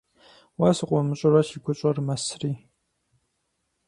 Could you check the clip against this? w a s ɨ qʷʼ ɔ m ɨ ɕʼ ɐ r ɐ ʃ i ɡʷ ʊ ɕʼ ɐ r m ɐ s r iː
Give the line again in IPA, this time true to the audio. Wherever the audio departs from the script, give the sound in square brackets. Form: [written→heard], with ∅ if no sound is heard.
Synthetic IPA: w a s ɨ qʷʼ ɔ m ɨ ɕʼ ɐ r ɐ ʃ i ɡʷ ʊ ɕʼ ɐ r m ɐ s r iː